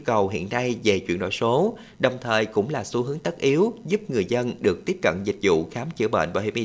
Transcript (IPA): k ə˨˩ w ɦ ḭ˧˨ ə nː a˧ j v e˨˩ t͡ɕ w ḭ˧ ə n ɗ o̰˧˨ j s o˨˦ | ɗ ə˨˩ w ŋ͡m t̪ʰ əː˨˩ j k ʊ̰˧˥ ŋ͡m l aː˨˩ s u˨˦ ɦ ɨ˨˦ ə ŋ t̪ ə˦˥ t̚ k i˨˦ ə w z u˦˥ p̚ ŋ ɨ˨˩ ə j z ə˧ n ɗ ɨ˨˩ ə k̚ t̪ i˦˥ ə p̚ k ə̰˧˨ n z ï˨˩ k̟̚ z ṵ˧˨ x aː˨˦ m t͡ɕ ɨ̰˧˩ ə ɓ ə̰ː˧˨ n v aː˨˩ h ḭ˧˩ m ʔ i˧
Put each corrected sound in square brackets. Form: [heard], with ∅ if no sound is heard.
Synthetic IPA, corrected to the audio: k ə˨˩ w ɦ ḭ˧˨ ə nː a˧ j v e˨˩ t͡ɕ w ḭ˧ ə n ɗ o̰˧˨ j s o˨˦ | ɗ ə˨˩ w ŋ͡m t̪ʰ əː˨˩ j k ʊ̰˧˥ ŋ͡m l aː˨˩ s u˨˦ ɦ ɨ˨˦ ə ŋ t̪ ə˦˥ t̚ [ʔ] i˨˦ ə w z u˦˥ p̚ ŋ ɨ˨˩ ə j z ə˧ n ɗ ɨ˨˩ ə k̚ t̪ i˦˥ ə p̚ k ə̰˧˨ n z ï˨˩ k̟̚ z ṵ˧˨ x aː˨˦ m t͡ɕ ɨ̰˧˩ ə ɓ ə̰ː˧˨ n v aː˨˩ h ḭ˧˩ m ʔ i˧